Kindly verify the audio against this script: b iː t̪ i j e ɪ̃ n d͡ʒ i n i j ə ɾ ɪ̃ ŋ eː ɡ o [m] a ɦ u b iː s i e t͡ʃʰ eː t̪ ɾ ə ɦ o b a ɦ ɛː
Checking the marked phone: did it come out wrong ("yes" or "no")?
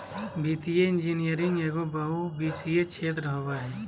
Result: yes